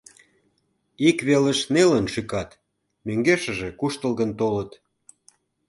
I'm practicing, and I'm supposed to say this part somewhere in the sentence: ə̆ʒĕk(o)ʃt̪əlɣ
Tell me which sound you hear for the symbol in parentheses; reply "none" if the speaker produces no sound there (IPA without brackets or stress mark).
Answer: u